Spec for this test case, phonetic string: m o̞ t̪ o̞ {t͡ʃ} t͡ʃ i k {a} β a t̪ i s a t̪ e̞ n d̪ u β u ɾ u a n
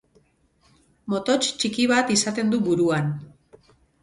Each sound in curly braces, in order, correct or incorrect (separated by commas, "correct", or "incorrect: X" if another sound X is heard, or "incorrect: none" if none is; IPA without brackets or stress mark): correct, incorrect: i